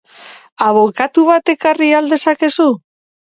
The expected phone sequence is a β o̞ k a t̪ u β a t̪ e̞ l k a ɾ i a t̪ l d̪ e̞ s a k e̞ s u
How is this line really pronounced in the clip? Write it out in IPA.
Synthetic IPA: a β o̞ k a t̪ u β a t̪ e̞ k a r i a l d̪ e̞ s a k e̞ s u